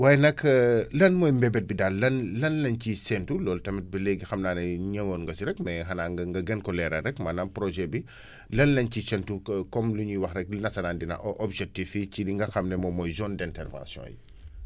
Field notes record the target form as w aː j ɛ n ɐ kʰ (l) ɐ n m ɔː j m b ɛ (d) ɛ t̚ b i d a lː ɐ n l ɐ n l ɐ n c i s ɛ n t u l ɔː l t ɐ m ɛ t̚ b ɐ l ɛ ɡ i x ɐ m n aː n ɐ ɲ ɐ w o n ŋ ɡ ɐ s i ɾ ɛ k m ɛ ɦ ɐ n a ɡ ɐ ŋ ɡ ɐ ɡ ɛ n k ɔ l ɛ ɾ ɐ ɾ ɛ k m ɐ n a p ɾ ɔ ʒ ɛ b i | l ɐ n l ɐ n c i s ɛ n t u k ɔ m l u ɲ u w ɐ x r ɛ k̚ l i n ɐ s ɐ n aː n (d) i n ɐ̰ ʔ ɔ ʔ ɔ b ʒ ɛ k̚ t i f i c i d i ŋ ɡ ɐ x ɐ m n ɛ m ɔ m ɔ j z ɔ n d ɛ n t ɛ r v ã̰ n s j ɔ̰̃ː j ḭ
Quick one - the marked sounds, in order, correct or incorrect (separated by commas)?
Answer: correct, incorrect, correct